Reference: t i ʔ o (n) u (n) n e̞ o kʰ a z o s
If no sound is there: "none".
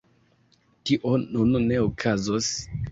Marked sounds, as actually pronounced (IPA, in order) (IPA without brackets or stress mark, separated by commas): n, n